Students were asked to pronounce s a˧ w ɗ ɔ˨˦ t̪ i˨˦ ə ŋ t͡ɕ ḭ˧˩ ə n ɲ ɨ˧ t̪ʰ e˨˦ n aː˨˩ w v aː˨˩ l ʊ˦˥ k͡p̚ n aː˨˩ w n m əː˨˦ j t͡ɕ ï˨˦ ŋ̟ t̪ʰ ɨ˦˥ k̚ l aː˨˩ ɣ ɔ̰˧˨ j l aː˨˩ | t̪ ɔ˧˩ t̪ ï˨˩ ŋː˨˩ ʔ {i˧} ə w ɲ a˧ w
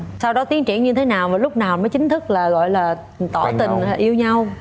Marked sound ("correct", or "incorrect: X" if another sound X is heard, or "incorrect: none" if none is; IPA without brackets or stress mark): correct